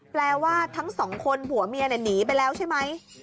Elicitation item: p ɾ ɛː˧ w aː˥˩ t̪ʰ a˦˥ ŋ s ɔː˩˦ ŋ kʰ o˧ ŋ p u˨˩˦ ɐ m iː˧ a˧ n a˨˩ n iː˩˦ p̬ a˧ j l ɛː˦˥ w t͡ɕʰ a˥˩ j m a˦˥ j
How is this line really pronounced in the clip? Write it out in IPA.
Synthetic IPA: p l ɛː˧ w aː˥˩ t̪ʰ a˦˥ ŋ s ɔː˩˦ ŋ kʰ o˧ n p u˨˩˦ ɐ m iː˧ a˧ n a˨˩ n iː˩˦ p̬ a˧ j l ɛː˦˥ w t͡ɕʰ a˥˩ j m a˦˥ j